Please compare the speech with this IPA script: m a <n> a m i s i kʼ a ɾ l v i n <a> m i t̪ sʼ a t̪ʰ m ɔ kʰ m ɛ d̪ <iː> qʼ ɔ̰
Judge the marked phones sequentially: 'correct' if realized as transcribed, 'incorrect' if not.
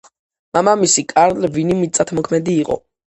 incorrect: m, incorrect: i, correct

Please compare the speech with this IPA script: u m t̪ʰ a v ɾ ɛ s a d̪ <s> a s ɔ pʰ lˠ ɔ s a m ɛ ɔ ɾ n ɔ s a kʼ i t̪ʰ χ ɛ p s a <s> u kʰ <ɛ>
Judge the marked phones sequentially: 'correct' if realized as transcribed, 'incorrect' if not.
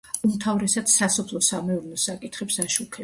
correct, incorrect: ʃ, correct

